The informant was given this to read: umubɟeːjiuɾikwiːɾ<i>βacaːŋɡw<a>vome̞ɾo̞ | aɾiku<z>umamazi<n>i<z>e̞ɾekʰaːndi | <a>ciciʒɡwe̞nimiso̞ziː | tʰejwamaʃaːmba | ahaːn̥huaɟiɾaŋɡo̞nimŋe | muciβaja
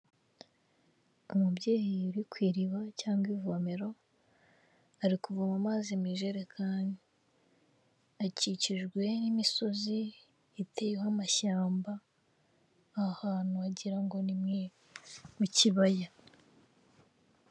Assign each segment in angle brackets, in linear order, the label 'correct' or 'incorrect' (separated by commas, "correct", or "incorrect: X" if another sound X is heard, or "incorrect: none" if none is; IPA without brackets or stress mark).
correct, incorrect: i, incorrect: v, incorrect: m, incorrect: ʒ, correct